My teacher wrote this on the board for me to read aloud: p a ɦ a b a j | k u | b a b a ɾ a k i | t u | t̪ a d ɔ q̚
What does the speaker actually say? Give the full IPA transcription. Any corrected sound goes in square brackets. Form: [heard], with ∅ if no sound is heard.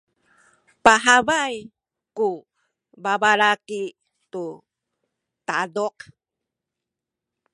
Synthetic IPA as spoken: p a ɦ a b a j | k u | b a b a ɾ a k i | t u | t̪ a d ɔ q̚